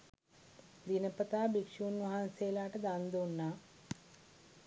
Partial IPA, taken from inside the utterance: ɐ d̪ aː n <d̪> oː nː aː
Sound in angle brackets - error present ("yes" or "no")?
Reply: no